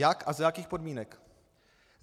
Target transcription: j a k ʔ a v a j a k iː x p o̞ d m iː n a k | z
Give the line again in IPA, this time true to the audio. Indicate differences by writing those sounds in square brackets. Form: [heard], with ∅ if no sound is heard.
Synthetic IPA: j a k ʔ a [z] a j a k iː x p o̞ d m iː n [ɛ] k | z